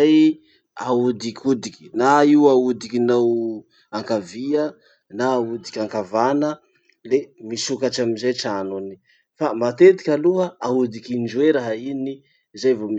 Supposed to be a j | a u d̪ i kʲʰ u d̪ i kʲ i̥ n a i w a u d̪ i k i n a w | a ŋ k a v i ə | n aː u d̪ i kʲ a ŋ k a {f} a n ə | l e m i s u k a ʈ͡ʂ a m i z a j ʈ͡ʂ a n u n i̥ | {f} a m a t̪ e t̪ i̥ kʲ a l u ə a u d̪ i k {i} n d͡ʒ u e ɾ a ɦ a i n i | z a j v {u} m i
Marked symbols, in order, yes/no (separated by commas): no, yes, yes, no